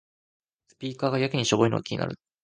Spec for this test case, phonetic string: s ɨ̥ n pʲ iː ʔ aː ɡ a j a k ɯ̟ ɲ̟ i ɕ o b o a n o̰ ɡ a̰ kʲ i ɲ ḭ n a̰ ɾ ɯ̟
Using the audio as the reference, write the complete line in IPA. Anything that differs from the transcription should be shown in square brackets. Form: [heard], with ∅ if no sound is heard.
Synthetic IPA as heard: s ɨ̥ [∅] pʲ iː [k] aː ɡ a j a k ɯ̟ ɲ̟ i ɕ o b o [i] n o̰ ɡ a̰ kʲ i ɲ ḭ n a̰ ɾ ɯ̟